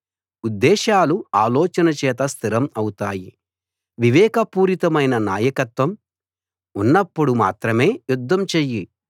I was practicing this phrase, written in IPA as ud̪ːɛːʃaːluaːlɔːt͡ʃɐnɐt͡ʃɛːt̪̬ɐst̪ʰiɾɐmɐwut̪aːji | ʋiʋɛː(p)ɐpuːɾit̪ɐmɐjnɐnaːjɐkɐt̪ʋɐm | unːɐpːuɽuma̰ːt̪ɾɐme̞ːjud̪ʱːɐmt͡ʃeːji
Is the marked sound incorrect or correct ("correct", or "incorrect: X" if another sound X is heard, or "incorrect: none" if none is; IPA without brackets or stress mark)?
incorrect: k